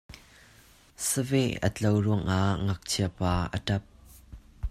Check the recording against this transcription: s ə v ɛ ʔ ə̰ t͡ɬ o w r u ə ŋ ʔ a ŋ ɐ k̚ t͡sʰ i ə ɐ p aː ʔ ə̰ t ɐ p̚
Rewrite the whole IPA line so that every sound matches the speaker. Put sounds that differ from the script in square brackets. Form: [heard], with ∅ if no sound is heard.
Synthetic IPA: s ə v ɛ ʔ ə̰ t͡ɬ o w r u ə ŋ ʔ a ŋ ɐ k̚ t͡sʰ i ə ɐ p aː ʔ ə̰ t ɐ p̚